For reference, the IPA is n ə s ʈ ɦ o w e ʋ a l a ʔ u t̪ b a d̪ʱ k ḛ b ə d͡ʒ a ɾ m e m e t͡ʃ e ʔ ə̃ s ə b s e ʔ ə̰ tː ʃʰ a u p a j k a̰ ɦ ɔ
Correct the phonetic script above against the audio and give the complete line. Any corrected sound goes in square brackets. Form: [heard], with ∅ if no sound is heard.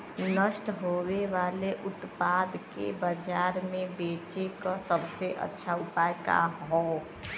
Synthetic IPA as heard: n ə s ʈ ɦ o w e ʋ a l [e] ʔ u t̪ [p] a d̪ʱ k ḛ b ə d͡ʒ a ɾ m e [b] e t͡ʃ e [k] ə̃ s ə b s e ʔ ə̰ tː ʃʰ a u p a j k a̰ ɦ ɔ

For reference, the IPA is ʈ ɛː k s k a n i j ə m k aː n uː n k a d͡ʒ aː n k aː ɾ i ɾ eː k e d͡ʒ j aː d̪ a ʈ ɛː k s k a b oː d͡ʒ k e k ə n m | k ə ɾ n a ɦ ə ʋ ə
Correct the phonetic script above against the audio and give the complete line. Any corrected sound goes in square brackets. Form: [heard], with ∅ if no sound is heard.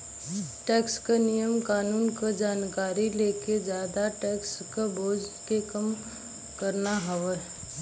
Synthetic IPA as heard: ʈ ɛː k s k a n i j ə m k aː n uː n k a d͡ʒ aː n k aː ɾ i [l] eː k e d͡ʒ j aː d̪ a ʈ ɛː k s k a b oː d͡ʒ k e k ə [∅] m | k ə ɾ n a ɦ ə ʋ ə

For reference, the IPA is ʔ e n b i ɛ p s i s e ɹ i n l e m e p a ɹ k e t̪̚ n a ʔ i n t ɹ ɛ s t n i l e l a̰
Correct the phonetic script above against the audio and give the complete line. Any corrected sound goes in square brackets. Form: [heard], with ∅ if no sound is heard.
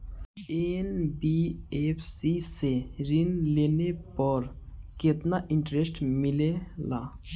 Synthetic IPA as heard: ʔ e n b i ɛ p s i s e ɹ i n l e [n] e p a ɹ k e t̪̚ n a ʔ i n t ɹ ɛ s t [m] i l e l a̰

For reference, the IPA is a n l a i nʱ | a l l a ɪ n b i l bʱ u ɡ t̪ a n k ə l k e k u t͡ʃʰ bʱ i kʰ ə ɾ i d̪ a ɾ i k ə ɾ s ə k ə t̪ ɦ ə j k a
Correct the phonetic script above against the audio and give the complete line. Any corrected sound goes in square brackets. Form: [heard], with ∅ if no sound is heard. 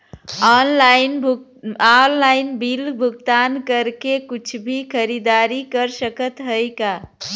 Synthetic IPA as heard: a n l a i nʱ | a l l a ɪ n b i l bʱ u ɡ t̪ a n k ə [ɾ] k e k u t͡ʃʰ bʱ i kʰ ə ɾ i d̪ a ɾ i k ə ɾ s ə k ə t̪ ɦ ə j k a

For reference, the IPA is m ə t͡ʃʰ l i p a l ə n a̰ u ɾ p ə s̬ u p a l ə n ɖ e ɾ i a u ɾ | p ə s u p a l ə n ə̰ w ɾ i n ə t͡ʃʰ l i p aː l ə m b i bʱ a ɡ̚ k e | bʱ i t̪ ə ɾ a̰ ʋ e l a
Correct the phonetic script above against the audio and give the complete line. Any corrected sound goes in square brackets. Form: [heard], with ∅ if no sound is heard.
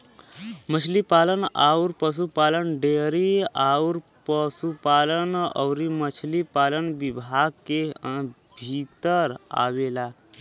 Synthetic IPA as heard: m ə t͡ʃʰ l i p a l ə n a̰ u ɾ p ə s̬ u p a l ə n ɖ e ɾ i a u ɾ | p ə s u p a l ə n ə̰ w ɾ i [m] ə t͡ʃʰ l i p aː l ə [n] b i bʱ a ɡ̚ k e | bʱ i t̪ ə ɾ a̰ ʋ e l a

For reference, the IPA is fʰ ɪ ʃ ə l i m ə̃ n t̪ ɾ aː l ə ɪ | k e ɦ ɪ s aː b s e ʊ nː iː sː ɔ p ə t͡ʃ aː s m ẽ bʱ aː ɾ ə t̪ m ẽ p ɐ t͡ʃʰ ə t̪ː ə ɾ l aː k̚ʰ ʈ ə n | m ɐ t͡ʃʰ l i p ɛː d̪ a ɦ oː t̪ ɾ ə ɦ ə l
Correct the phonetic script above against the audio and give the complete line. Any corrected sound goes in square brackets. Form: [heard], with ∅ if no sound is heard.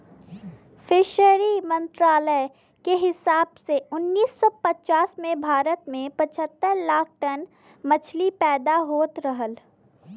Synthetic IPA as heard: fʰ ɪ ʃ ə [ɾ] i m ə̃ n t̪ ɾ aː l ə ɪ | k e ɦ ɪ s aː b s e ʊ nː iː sː ɔ p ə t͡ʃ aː s m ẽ bʱ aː ɾ ə t̪ m ẽ p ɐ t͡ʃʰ ə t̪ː ə ɾ l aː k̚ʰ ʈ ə n | m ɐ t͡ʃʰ l i p ɛː d̪ a ɦ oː t̪ ɾ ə ɦ ə l

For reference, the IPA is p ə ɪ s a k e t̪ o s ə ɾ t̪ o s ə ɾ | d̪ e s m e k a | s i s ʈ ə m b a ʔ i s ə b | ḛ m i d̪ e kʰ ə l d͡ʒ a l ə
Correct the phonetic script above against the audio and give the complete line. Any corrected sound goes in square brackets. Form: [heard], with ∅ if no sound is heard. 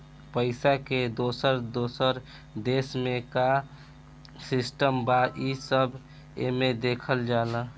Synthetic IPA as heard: p ə ɪ s a k e [d̪] o s ə ɾ [d̪] o s ə ɾ | d̪ e s m e k a | s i s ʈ ə m b a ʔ i s ə b | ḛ m [e] d̪ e kʰ ə l d͡ʒ a l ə

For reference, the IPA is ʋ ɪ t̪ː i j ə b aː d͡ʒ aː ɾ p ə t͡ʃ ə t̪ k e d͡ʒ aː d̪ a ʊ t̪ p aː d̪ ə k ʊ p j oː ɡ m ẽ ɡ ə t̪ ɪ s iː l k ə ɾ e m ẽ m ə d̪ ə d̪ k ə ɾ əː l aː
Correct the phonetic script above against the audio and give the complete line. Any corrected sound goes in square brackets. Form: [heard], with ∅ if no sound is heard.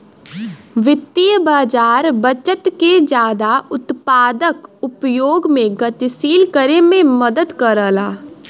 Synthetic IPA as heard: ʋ ɪ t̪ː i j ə b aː d͡ʒ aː ɾ [b] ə t͡ʃ ə t̪ k e d͡ʒ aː d̪ a ʊ t̪ p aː d̪ ə k ʊ p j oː ɡ m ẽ ɡ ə t̪ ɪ s iː l k ə ɾ e m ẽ m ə d̪ ə d̪ k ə ɾ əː l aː

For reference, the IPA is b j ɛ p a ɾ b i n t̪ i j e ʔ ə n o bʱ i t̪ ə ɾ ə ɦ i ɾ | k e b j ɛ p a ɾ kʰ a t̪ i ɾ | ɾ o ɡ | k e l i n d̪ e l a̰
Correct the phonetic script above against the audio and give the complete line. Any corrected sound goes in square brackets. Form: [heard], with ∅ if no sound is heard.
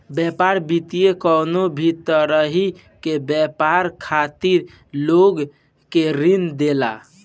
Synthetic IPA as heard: b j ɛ p a ɾ b i [∅] t̪ i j e [k] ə n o bʱ i t̪ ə ɾ ə ɦ i [∅] | k e b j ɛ p a ɾ kʰ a t̪ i ɾ | [l] o ɡ | k e [ɾ] i n d̪ e l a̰

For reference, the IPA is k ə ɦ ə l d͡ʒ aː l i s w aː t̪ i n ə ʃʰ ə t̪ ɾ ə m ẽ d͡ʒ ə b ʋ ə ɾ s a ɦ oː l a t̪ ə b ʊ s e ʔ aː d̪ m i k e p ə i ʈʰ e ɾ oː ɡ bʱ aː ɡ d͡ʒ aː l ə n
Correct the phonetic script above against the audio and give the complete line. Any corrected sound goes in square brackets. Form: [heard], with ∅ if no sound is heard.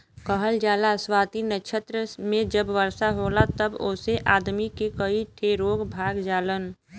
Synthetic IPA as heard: k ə ɦ ə l d͡ʒ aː l [a] s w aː t̪ i n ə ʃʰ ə t̪ ɾ ə m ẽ d͡ʒ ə b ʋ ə ɾ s a ɦ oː l a t̪ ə b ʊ s e ʔ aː d̪ m i k e [k] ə i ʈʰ e ɾ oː ɡ bʱ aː ɡ d͡ʒ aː l ə n

